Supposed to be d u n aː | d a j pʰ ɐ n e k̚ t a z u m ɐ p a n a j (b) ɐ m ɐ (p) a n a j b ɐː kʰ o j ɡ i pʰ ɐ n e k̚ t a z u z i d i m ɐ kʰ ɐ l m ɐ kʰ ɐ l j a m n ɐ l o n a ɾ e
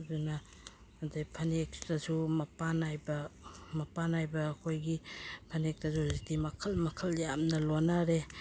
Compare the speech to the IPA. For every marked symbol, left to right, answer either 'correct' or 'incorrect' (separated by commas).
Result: correct, correct